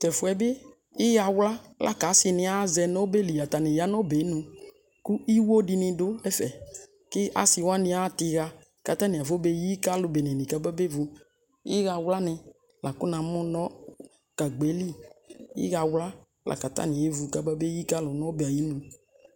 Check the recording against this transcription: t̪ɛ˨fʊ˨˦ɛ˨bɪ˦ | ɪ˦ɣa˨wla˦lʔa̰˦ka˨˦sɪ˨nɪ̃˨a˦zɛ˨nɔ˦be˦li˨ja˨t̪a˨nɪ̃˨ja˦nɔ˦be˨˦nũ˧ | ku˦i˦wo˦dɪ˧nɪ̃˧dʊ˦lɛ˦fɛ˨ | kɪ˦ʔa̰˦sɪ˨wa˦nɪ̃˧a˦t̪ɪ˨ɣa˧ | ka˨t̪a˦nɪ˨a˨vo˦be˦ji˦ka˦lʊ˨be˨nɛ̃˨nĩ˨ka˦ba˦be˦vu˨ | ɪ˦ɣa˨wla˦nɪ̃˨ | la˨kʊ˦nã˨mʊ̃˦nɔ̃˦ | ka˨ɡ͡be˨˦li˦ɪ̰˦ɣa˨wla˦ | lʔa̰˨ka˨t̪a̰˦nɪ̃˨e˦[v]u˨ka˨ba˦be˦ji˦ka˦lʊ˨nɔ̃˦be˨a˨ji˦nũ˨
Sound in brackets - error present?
no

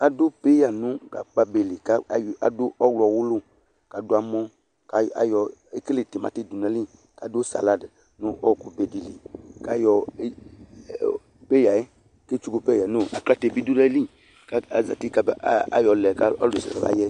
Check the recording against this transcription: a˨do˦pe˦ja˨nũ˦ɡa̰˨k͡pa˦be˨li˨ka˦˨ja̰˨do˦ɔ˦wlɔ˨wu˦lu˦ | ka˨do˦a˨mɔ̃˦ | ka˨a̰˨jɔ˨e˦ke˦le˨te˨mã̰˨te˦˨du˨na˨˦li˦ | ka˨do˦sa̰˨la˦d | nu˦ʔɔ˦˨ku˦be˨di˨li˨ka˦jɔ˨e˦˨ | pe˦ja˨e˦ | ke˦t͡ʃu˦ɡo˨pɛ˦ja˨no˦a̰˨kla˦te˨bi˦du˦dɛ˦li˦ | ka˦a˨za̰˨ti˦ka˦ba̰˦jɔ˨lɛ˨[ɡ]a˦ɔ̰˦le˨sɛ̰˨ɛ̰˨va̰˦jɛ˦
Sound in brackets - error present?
yes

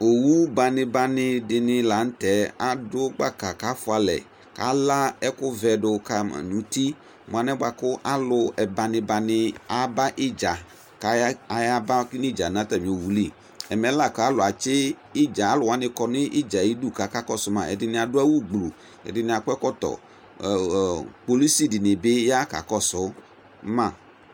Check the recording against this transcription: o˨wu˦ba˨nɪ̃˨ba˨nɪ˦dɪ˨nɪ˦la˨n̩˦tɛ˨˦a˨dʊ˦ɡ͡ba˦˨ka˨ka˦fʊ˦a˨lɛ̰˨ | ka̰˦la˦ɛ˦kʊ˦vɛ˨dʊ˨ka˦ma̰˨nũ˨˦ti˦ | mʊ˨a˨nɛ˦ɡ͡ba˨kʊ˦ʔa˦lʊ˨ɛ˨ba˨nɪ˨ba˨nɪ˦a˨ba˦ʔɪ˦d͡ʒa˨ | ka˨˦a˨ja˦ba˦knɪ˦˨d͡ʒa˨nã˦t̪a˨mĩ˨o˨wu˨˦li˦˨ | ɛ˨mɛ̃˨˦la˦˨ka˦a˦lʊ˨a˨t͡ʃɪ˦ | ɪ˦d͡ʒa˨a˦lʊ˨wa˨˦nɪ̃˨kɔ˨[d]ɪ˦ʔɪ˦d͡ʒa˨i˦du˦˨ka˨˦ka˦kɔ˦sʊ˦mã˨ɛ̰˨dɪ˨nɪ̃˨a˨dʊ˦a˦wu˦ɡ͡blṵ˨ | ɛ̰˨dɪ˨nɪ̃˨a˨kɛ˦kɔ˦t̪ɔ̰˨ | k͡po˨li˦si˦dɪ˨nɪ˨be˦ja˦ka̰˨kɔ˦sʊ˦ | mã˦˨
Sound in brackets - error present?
yes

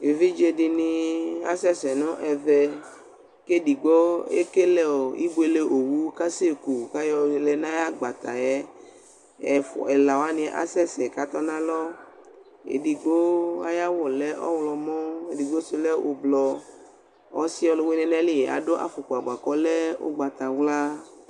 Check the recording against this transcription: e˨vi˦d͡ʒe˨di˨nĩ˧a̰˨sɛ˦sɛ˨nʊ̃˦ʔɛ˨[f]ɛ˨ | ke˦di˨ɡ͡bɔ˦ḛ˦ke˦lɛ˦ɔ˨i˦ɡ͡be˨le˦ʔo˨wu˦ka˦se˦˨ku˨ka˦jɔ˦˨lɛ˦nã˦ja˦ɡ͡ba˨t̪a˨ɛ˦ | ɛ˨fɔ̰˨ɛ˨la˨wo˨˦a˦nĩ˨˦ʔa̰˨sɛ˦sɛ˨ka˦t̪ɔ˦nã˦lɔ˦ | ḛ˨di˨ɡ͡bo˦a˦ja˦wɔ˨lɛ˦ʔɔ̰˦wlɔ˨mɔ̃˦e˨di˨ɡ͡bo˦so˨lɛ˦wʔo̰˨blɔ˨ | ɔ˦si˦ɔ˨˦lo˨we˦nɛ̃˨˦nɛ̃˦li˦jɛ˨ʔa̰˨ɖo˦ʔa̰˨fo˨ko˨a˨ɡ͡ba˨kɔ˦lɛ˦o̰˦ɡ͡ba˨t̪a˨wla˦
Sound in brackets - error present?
yes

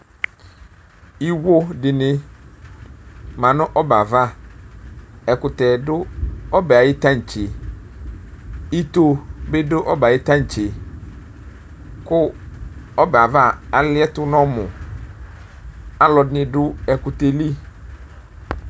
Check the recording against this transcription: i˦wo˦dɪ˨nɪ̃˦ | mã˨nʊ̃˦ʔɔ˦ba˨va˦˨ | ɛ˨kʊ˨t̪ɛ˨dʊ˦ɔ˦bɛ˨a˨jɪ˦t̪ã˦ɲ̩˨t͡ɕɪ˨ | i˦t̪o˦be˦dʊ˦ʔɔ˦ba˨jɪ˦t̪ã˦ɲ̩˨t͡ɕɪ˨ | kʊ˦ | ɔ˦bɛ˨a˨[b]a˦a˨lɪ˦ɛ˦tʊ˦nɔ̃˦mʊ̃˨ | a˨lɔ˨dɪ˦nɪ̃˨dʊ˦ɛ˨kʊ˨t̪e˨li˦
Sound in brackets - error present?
yes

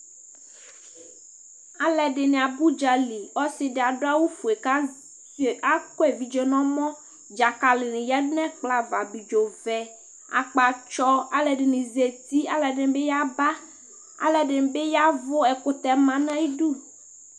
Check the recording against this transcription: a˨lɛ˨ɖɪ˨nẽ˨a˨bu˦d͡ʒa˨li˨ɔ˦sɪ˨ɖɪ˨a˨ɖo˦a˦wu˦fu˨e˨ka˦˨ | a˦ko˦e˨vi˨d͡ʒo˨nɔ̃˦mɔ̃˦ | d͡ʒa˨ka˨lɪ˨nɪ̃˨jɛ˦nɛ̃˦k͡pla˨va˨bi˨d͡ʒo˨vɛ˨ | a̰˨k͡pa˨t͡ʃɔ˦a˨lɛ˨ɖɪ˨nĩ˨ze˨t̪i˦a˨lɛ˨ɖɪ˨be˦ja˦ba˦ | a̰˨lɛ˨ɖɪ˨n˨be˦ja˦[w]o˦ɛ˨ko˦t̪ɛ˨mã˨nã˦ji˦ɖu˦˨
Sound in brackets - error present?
yes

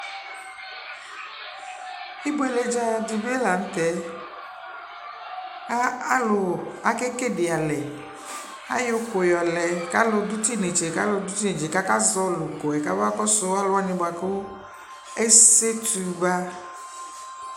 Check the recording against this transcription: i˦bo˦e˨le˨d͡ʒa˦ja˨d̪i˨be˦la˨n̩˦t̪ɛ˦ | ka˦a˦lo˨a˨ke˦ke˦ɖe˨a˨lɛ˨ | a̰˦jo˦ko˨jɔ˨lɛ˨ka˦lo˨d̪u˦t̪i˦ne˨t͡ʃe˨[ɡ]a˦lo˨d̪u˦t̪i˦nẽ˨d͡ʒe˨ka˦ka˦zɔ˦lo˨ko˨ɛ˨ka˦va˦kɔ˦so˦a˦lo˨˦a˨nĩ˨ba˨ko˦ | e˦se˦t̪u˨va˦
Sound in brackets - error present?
yes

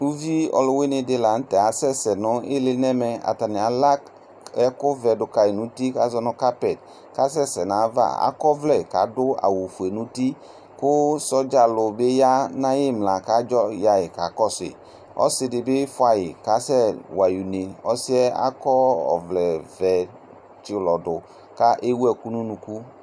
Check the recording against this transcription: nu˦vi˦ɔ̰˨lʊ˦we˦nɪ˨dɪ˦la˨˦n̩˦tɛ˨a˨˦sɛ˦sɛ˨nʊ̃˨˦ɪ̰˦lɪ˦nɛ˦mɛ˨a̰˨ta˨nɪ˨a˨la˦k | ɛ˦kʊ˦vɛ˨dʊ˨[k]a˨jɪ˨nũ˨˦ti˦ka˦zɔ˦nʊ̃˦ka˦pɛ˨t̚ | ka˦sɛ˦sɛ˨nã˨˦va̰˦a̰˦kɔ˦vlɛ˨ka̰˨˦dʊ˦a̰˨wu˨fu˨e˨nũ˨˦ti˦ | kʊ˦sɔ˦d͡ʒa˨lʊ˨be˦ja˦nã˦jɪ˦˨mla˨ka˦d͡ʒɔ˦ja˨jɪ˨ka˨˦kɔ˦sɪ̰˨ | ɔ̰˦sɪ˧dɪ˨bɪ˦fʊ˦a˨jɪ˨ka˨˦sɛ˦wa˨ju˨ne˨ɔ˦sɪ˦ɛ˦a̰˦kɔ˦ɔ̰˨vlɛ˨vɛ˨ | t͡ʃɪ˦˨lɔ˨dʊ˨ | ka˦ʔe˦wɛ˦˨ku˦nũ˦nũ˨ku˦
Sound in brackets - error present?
no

